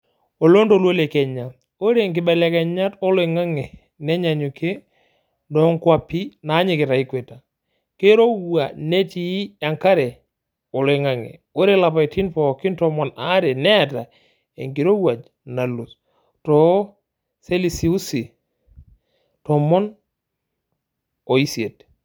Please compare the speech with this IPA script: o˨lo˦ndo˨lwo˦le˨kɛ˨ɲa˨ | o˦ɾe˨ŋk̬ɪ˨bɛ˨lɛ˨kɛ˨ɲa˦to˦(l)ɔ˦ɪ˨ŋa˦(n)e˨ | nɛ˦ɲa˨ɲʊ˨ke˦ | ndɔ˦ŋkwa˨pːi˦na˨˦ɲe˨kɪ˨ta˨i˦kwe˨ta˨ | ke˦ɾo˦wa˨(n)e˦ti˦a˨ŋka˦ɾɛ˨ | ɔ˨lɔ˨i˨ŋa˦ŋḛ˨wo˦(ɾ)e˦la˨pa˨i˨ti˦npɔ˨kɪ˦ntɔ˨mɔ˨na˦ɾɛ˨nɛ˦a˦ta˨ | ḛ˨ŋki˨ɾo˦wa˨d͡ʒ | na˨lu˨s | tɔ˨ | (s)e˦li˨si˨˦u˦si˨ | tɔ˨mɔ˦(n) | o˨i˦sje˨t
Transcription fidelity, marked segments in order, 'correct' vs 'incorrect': correct, incorrect, correct, correct, correct, correct

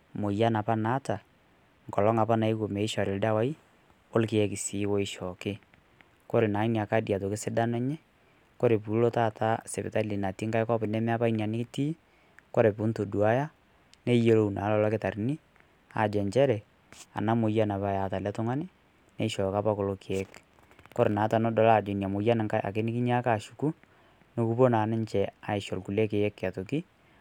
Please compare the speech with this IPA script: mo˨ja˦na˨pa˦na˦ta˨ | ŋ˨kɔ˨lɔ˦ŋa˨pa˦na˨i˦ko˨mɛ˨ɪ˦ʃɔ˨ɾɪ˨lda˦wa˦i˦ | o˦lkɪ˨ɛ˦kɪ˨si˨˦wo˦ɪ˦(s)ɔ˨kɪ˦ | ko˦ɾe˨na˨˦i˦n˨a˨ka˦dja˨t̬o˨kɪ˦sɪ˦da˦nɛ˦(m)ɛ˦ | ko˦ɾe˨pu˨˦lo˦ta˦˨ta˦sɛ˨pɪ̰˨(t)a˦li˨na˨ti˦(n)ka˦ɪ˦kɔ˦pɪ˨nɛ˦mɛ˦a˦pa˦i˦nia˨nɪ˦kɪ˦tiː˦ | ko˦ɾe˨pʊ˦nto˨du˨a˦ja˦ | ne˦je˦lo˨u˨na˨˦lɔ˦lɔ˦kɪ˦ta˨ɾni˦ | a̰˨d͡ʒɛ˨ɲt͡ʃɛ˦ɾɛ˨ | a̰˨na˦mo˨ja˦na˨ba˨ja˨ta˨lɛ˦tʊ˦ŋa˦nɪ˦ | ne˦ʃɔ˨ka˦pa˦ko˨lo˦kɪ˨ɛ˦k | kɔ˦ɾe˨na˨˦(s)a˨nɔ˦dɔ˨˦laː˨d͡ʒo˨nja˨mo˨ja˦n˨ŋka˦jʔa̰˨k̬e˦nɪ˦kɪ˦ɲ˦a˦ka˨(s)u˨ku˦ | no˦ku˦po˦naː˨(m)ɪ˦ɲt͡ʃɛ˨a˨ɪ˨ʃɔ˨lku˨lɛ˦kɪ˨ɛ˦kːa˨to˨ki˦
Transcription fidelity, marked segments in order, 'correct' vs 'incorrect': incorrect, incorrect, correct, incorrect, incorrect, incorrect, incorrect

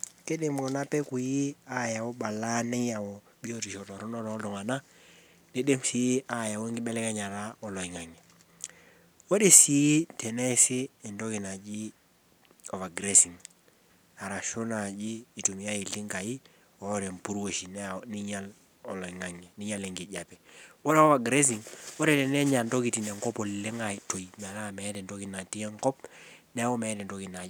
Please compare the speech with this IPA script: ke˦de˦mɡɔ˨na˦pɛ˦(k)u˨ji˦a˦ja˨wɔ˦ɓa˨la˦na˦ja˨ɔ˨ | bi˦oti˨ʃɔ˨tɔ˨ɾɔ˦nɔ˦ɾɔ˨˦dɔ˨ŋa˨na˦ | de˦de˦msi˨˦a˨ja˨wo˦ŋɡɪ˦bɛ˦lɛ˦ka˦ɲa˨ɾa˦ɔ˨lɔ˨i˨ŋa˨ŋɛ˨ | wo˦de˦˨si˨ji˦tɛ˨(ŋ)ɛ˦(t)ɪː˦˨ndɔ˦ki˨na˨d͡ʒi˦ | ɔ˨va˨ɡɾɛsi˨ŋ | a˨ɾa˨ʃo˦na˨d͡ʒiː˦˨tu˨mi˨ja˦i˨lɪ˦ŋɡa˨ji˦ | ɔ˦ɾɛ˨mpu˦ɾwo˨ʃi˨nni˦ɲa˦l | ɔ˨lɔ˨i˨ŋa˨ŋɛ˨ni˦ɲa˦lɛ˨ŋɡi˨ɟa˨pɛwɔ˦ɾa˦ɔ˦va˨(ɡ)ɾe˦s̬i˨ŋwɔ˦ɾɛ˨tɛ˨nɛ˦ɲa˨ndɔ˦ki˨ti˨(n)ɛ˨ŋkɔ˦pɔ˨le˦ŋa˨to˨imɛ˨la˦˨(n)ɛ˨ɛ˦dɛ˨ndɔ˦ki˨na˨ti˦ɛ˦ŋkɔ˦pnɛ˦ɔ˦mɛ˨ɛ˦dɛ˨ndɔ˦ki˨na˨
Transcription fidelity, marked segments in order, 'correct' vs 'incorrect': correct, incorrect, incorrect, correct, correct, incorrect

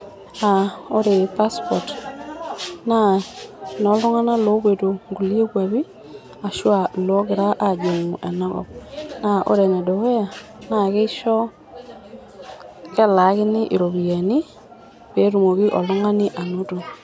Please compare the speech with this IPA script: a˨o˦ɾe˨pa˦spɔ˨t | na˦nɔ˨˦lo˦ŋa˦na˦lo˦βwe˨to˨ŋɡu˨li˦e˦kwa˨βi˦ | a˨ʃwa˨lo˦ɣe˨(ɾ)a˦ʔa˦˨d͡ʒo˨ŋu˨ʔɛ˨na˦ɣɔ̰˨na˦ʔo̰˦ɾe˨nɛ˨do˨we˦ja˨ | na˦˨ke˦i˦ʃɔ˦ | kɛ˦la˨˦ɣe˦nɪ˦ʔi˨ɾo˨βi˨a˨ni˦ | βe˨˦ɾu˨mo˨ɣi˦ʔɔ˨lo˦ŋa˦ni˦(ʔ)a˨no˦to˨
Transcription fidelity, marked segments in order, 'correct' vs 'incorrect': correct, correct

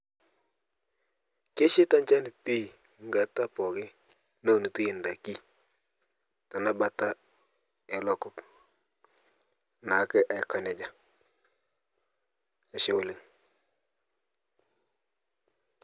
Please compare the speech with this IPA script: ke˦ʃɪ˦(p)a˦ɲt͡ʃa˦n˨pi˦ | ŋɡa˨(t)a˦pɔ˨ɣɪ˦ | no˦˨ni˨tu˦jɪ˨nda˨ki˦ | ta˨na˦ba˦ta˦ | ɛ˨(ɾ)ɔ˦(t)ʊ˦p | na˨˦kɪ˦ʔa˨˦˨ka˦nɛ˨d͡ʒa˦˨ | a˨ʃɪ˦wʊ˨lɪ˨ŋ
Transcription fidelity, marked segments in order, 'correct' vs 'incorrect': incorrect, correct, incorrect, incorrect

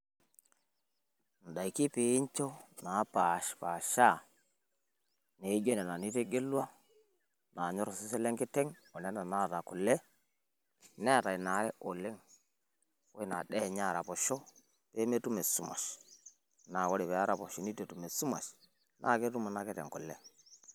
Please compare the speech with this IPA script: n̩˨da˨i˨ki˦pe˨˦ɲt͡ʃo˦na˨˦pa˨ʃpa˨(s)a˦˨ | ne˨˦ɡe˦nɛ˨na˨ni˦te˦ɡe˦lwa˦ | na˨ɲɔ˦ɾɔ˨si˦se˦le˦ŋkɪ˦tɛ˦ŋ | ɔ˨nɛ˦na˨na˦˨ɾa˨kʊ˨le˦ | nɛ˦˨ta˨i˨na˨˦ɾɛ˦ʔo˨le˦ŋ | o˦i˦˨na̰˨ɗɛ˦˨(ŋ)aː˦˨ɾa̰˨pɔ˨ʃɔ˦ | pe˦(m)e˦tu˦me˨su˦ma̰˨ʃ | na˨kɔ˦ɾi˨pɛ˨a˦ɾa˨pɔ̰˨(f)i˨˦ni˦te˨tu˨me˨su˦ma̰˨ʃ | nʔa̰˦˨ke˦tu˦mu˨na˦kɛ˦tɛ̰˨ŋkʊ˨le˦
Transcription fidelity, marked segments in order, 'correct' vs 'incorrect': incorrect, incorrect, correct, incorrect

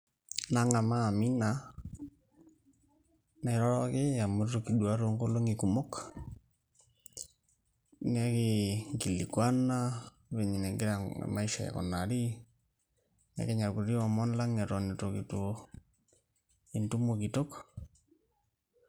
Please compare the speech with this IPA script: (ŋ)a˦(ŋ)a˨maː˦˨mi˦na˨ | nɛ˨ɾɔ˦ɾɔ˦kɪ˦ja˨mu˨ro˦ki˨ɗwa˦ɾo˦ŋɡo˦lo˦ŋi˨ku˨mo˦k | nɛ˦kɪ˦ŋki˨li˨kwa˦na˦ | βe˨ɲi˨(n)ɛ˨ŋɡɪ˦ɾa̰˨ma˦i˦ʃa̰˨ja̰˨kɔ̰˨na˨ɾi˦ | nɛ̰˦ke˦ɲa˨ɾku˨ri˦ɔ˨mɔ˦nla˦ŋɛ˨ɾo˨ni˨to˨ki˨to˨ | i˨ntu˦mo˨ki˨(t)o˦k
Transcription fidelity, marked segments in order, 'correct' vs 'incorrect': incorrect, correct, correct, correct

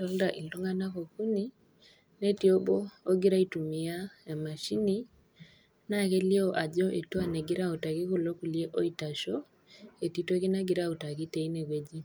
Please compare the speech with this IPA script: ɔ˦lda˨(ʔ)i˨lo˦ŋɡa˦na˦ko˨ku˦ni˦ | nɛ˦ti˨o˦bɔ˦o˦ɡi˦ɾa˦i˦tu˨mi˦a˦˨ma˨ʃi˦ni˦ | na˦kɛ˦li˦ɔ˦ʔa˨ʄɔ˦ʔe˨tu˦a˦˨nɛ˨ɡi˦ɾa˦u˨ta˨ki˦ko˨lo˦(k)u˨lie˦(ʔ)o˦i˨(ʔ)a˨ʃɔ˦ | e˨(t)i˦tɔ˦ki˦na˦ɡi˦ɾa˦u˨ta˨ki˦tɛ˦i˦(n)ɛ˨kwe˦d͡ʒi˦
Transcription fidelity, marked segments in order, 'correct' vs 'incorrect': correct, correct, correct, incorrect, correct, correct

